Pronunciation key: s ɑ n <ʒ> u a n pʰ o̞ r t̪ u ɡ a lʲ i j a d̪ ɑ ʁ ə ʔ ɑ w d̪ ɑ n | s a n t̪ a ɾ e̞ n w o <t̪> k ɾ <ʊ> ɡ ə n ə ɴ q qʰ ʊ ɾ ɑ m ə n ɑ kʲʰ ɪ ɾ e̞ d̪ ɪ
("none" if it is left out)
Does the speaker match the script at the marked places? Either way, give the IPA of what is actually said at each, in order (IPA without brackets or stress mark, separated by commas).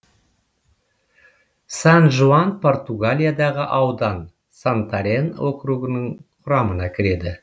ʒ, none, u